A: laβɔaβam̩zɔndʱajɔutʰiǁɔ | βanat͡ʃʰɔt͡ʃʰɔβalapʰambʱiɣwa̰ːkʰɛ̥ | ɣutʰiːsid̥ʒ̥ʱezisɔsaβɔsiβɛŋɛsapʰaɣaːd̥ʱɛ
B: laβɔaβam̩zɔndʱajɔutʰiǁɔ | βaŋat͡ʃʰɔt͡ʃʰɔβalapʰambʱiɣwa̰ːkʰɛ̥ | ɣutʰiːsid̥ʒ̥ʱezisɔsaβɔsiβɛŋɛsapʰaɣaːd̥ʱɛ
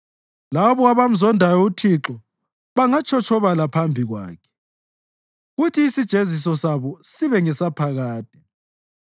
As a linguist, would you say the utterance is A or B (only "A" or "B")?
B